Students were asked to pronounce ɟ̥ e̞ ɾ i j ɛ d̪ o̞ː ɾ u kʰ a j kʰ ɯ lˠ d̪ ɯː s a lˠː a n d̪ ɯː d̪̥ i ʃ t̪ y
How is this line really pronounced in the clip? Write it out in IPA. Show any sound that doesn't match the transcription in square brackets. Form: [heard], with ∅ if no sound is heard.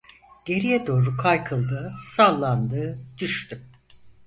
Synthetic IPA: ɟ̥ e̞ ɾ i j ɛ d̪ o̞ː ɾ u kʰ a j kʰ ɯ lˠ d̪ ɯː s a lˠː a n d̪ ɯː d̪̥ [y] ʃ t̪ y